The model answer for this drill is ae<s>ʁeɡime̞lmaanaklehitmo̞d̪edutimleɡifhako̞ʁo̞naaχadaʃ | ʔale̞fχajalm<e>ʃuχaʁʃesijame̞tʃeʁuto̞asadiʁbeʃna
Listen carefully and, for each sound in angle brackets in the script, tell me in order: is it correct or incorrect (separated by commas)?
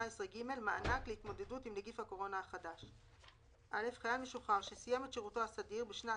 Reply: correct, correct